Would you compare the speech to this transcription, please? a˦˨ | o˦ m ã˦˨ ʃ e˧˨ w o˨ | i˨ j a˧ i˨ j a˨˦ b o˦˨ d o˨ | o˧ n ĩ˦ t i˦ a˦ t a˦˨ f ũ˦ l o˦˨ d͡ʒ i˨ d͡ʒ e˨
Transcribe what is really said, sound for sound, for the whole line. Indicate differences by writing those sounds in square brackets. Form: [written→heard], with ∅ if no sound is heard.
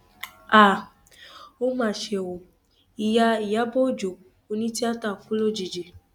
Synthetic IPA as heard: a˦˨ | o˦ m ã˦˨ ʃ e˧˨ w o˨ | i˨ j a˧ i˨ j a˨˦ b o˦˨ [d→d͡ʒ] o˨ | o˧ n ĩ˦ t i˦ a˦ t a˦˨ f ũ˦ l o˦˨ d͡ʒ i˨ d͡ʒ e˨

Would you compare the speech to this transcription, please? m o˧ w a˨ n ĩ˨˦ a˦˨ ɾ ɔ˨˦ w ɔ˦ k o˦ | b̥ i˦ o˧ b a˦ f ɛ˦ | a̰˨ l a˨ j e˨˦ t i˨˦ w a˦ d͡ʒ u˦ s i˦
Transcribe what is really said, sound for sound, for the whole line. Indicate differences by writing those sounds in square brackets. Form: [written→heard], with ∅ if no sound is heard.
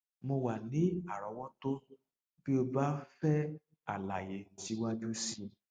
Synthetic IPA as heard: m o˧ w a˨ n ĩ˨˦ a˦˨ ɾ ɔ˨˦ w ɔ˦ [k→t] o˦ | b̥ i˦ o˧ b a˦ f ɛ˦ | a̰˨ l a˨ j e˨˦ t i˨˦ w a˦ d͡ʒ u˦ s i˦

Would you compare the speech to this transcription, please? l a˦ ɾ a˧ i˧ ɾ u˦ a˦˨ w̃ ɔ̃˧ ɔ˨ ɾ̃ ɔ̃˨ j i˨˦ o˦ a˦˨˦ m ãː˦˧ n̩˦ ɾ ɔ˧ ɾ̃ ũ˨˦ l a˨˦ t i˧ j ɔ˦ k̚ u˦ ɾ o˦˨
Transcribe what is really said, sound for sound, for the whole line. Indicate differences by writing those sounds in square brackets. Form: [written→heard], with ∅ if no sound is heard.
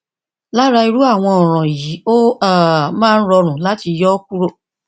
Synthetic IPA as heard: l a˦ ɾ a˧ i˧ ɾ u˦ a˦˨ w̃ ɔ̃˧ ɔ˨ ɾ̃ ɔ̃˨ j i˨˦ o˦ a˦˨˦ m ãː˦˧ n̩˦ ɾ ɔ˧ ɾ̃ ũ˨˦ l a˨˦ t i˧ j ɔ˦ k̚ u˦ ɾ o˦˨

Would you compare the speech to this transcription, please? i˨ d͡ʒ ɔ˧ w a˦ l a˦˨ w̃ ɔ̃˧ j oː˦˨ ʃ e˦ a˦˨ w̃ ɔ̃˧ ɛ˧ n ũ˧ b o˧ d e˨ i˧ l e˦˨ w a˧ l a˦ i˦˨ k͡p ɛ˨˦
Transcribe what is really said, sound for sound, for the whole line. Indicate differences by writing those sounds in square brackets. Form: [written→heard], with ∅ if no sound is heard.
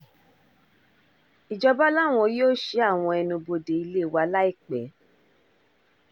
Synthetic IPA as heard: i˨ d͡ʒ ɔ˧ [w→b] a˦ l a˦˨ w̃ ɔ̃˧ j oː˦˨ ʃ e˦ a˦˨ w̃ ɔ̃˧ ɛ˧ n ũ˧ b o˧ d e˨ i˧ l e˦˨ w a˧ l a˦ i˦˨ k͡p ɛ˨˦

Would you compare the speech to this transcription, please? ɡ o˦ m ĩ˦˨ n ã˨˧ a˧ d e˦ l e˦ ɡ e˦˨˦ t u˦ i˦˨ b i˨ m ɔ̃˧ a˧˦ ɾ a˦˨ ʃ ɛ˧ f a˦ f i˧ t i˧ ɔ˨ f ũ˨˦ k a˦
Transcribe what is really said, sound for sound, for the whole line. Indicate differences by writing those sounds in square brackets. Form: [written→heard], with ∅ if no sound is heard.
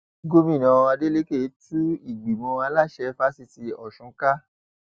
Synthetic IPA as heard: ɡ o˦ m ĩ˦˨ n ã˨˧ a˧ d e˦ l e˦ [ɡ→k] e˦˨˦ t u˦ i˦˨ [b→ɡ͡b] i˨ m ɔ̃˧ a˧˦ [ɾ→l] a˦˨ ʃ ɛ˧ f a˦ [f→s] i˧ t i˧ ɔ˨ [f→ʃ] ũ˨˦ k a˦

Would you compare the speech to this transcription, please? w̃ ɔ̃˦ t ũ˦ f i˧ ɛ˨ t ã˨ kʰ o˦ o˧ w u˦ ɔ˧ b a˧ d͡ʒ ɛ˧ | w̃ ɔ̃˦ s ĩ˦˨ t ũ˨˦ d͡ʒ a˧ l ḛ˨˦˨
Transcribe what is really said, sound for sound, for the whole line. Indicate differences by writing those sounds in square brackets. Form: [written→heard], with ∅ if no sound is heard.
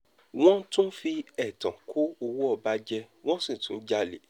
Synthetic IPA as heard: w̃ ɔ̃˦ t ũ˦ f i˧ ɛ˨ t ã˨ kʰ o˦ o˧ w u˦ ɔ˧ b a˧ d͡ʒ ɛ˧ | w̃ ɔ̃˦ s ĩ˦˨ t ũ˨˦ d͡ʒ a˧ l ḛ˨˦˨

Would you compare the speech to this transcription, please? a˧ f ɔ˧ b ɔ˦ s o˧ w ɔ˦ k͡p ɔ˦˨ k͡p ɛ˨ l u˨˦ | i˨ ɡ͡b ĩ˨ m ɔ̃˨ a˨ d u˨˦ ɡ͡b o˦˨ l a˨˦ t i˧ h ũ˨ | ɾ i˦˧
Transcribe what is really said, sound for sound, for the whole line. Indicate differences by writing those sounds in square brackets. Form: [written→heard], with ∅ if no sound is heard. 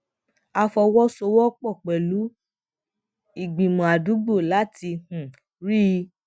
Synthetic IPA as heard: a˧ f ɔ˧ [b→w] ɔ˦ s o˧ w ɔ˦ k͡p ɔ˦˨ k͡p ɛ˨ l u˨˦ | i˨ ɡ͡b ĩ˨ m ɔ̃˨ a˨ d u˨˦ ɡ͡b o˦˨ l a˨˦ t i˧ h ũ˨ | ɾ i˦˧

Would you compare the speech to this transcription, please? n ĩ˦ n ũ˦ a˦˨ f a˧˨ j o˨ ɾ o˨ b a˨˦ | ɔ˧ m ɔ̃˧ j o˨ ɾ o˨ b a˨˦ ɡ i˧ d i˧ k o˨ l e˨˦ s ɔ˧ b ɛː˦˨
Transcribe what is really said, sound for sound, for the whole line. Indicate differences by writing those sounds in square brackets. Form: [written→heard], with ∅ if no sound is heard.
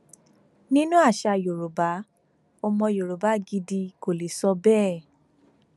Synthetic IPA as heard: n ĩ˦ n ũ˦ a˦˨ [f→ʃ] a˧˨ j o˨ ɾ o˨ b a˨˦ | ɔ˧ m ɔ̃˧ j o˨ ɾ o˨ b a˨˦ ɡ i˧ d i˧ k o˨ l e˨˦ s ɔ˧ b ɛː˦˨

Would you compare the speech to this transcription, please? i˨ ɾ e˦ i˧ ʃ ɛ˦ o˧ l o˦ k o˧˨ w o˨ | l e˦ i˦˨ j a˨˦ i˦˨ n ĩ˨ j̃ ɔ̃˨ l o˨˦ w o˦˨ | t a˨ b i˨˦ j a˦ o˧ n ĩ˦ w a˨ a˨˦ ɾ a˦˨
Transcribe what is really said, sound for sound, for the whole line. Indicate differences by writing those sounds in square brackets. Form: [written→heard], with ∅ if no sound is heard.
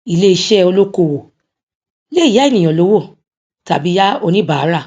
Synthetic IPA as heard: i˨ [ɾ→l] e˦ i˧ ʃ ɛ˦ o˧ l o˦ k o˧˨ w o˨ | l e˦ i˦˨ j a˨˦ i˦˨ n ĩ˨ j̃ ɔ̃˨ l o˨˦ w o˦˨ | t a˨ b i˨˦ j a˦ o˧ n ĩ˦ [w→b] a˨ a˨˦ ɾ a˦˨

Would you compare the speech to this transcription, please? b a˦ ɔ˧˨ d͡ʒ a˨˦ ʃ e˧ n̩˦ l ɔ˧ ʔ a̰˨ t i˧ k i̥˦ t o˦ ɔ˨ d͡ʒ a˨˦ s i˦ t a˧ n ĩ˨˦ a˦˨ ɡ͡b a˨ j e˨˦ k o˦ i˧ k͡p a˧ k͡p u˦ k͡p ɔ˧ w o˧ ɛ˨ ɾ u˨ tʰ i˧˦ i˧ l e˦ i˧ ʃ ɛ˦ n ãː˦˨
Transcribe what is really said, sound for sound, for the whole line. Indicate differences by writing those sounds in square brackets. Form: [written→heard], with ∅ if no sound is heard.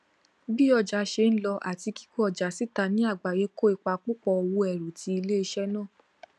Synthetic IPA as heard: b [a˦→i˦] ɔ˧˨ d͡ʒ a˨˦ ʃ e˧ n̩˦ l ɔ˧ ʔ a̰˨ t i˧ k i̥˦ [t→k] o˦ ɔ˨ d͡ʒ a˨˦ s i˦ t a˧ n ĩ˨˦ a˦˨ ɡ͡b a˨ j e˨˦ k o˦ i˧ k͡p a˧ k͡p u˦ k͡p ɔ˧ w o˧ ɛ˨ ɾ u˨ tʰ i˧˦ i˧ l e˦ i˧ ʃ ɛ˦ n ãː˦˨

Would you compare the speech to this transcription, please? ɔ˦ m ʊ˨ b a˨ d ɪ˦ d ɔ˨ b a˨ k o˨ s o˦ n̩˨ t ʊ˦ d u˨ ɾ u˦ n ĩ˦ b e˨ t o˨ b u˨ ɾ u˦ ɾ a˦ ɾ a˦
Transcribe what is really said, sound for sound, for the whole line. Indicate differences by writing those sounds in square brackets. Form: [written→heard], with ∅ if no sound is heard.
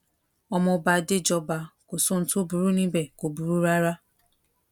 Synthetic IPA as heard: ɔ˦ m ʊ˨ b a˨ d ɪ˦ [d→d͡ʒ] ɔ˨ b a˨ k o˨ s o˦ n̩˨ t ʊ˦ [d→b] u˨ ɾ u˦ n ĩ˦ b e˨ [t→k] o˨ b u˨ ɾ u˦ ɾ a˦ ɾ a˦

